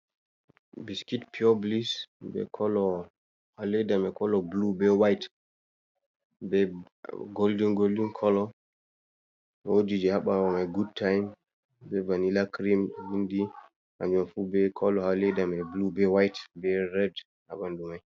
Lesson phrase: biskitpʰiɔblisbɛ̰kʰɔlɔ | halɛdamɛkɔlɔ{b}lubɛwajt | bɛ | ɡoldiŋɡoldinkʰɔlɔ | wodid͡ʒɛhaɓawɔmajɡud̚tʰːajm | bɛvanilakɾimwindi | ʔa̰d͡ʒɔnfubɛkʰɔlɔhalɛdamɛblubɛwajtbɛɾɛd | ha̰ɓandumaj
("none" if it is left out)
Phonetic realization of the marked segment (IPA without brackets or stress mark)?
b